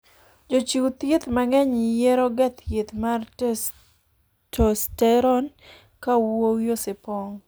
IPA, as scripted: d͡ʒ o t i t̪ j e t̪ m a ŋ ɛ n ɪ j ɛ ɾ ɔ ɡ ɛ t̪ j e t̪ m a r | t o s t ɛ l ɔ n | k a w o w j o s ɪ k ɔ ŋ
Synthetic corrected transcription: d͡ʒ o t͡ʃ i t̪ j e t̪ m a ŋ ɛ ɲ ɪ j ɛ ɾ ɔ ɡ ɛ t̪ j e t̪ m a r | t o s t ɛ ɾ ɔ n | k a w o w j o s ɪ p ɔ ŋ